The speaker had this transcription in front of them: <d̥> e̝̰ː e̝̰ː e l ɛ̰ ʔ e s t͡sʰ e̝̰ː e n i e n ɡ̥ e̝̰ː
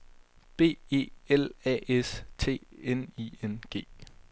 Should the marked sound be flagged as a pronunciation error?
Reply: yes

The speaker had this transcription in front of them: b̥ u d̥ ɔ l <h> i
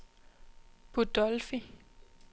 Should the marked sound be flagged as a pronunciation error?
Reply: yes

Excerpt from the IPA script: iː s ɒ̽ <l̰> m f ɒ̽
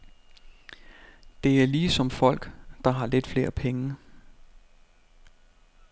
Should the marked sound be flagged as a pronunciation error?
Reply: yes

